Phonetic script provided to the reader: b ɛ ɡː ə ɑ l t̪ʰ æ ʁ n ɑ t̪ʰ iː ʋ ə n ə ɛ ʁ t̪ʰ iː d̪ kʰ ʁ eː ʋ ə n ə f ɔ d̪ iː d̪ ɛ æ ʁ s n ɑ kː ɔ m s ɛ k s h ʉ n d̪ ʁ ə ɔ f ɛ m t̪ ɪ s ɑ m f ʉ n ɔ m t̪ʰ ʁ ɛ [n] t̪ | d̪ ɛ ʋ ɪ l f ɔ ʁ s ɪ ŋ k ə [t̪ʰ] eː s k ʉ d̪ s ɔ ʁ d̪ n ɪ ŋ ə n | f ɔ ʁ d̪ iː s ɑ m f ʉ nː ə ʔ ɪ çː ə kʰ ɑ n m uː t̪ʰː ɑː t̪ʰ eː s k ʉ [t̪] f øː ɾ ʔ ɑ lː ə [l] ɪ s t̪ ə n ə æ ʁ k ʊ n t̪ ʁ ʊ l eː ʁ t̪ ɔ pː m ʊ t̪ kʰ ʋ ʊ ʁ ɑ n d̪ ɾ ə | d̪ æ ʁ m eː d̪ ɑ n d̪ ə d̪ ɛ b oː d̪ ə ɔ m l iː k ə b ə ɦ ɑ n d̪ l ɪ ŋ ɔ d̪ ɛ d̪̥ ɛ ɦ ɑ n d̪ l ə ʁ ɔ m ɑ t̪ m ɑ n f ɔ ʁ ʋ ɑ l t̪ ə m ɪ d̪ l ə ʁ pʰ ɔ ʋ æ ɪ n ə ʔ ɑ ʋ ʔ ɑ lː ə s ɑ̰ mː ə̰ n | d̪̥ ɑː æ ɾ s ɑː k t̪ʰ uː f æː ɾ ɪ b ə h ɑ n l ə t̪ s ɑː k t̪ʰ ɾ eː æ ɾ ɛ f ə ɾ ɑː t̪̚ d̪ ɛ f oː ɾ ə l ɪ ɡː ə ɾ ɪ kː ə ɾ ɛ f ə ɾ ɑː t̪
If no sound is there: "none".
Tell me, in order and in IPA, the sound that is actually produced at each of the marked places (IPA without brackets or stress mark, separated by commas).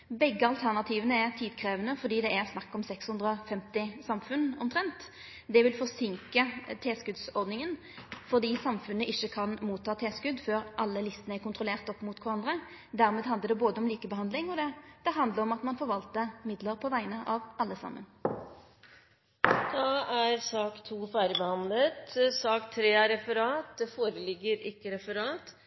n, t̪ʰ, d̪, l